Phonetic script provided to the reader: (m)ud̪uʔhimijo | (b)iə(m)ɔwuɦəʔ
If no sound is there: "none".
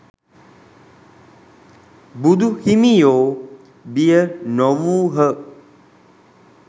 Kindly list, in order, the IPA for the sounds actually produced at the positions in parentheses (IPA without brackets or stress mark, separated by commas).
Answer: b, b, n